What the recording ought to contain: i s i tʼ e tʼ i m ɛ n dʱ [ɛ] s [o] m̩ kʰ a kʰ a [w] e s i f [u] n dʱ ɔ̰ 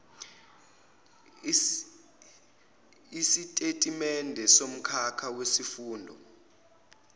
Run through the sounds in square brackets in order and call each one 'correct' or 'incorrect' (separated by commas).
correct, correct, correct, incorrect